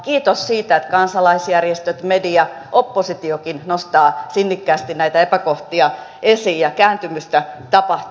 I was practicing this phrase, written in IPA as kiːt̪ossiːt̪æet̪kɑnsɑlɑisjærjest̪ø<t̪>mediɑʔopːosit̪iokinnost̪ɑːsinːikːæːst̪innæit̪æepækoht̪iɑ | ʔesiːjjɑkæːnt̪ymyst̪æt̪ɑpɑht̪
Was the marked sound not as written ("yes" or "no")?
no